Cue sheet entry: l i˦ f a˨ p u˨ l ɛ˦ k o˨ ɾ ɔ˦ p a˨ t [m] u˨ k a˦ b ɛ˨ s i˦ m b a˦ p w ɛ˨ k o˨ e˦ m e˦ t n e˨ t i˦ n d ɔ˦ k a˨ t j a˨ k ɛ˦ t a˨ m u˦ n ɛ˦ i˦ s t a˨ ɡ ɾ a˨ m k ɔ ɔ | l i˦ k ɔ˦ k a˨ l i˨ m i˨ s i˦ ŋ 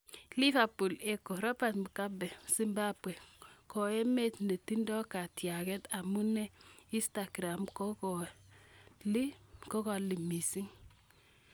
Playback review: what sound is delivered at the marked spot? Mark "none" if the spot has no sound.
m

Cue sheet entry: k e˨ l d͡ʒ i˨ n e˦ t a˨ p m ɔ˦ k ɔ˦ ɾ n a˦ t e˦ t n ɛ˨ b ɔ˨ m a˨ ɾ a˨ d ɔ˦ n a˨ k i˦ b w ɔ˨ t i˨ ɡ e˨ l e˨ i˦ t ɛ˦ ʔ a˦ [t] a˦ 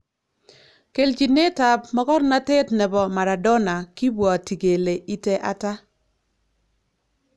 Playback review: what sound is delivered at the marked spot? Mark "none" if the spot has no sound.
t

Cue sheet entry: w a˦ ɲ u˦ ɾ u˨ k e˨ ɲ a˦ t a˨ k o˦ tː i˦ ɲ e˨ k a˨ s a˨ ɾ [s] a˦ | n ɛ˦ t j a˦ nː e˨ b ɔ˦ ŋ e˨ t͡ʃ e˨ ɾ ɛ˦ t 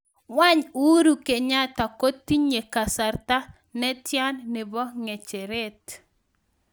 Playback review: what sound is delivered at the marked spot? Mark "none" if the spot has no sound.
t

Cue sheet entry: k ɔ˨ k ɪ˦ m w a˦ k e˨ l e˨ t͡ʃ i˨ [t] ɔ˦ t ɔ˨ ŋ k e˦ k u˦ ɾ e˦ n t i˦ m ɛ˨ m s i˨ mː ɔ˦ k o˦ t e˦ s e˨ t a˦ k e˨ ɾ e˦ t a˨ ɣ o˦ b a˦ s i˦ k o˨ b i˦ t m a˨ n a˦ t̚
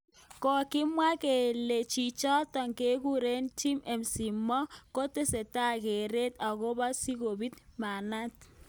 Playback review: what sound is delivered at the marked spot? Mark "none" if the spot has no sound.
t͡ʃ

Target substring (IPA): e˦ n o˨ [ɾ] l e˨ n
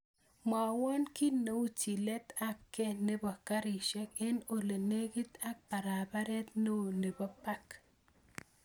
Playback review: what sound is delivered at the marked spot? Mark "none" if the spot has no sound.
none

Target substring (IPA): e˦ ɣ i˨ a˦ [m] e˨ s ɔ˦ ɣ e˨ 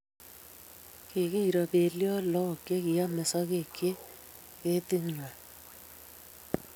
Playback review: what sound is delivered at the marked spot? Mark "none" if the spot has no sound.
m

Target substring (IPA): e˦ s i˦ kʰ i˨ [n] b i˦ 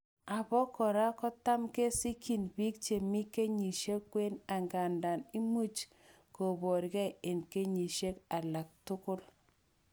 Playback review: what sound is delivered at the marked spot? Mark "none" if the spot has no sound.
n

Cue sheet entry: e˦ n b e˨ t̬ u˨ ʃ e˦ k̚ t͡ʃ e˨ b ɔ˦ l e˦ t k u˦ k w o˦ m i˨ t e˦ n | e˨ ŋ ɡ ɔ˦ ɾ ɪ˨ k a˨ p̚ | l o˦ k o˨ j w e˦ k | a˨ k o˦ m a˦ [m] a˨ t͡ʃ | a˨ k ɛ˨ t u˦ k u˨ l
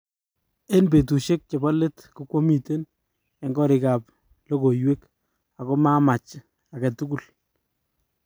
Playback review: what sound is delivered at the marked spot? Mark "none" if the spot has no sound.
m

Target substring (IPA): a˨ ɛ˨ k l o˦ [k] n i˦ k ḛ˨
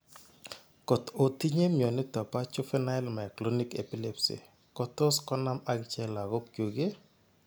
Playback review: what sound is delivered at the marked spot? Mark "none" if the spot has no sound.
none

